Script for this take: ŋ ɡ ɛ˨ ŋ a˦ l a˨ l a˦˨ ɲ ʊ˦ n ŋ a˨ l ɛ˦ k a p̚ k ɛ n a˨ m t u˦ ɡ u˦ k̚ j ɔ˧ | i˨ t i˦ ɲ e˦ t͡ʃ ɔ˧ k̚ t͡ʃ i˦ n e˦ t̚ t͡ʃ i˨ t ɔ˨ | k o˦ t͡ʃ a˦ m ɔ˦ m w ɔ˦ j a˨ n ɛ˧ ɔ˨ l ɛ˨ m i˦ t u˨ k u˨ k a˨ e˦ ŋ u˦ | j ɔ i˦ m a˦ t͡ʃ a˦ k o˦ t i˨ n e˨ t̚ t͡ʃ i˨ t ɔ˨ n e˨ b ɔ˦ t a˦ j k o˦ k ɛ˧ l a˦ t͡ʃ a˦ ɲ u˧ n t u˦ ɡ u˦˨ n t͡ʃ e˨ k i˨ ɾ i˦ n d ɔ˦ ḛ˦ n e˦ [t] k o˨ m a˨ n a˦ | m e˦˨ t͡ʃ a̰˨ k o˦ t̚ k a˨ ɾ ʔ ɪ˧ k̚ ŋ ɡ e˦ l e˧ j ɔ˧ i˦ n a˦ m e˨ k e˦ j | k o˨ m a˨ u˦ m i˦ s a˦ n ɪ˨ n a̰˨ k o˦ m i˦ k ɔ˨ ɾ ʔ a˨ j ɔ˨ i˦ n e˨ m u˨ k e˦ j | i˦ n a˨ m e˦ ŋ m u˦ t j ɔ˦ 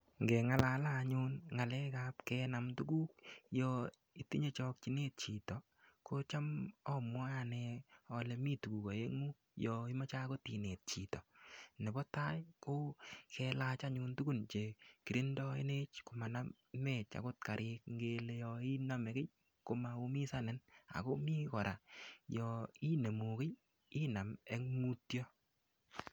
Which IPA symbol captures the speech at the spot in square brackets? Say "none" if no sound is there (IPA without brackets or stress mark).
t͡ʃ